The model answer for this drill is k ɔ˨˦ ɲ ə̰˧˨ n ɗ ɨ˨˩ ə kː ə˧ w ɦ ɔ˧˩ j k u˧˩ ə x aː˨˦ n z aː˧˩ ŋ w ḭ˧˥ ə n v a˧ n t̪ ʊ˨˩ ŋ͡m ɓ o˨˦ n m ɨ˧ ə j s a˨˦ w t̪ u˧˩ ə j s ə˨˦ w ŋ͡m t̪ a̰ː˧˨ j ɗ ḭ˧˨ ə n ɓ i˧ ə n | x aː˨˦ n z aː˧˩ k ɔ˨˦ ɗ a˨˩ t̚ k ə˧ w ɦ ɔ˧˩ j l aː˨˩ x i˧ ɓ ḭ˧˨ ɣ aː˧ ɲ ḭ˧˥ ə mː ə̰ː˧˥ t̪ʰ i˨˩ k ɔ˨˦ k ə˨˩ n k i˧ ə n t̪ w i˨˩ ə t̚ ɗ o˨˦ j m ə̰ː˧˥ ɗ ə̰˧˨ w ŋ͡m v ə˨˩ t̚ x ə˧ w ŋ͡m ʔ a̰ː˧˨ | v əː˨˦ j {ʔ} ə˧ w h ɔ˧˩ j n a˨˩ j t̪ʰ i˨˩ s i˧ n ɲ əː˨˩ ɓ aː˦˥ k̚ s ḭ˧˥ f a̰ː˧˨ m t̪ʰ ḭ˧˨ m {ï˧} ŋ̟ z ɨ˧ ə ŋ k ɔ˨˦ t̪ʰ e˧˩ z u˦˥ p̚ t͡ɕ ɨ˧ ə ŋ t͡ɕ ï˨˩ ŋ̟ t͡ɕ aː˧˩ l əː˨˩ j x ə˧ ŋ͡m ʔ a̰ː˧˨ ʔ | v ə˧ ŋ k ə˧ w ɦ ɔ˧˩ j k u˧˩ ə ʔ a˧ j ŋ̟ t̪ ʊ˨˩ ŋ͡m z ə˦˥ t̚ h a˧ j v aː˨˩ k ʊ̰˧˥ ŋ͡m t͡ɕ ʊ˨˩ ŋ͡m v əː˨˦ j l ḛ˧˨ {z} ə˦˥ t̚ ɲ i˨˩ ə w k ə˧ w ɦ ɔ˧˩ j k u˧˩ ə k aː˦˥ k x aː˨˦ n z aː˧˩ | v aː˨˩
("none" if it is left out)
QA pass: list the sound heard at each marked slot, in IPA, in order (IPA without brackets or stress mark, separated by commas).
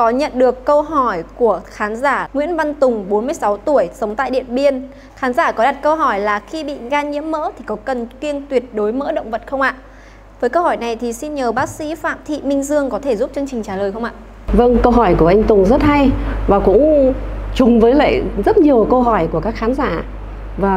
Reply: k, ï˧, z